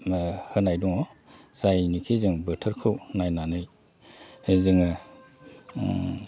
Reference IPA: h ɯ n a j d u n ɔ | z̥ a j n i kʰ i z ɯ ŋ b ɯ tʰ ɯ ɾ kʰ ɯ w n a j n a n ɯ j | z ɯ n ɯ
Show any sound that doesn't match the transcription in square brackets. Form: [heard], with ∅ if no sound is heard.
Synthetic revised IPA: h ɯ n a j d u [ŋ] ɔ | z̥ a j n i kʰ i z ɯ ŋ b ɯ tʰ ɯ ɾ kʰ ɯ w n a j n a n ɯ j | z ɯ [ŋ] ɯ